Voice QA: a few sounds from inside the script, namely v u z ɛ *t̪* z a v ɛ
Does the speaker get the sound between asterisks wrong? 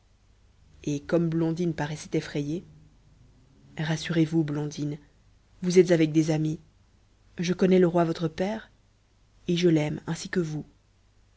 no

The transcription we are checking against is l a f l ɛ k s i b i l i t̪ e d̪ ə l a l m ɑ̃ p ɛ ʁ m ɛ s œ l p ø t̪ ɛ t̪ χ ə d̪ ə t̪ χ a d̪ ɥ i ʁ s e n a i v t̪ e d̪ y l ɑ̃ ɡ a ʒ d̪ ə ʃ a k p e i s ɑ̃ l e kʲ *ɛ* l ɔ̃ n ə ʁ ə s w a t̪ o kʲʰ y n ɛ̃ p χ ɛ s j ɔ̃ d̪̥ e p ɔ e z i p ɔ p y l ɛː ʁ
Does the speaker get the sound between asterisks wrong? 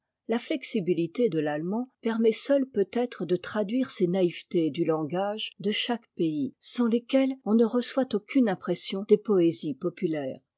no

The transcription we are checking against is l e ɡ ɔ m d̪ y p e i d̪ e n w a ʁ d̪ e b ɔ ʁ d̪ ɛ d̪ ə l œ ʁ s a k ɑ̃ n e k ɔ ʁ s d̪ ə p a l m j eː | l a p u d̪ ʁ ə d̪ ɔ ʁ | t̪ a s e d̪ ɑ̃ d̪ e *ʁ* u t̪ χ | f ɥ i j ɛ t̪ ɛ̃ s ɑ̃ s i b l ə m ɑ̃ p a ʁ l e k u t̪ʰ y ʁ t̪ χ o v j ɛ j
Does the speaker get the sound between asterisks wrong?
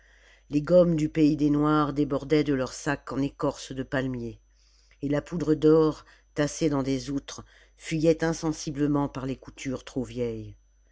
yes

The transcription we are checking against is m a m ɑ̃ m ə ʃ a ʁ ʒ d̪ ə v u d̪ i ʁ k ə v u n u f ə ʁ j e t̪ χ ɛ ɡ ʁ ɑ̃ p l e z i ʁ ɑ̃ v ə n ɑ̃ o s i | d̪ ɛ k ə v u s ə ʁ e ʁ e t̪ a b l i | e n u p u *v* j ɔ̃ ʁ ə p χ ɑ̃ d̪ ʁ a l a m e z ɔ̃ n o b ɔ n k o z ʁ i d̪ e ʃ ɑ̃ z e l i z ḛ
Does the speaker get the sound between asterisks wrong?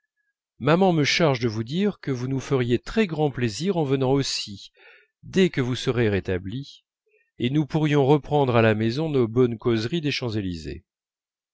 yes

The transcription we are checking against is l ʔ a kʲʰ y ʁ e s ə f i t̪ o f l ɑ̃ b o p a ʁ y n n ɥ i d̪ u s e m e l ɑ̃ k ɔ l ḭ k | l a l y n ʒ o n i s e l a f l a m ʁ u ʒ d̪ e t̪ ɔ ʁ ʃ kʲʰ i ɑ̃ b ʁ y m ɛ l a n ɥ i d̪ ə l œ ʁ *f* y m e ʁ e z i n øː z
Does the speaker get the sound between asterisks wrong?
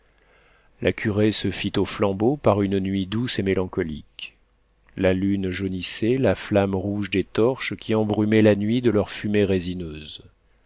no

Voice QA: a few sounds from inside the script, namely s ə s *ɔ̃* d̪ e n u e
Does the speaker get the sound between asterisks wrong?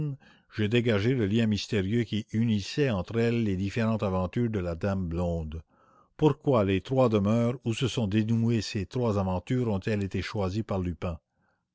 no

